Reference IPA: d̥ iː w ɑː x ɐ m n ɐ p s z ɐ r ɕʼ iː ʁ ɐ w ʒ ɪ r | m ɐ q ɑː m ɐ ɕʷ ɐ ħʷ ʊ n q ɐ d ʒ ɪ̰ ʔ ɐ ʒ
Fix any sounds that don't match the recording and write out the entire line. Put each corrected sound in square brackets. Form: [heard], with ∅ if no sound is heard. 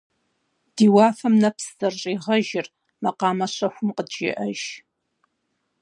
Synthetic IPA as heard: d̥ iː w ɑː [f] ɐ m n ɐ p s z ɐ r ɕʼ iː ʁ ɐ [∅] ʒ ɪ r | m ɐ q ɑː m ɐ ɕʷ ɐ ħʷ ʊ [m] q [ə] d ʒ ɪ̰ ʔ ɐ ʒ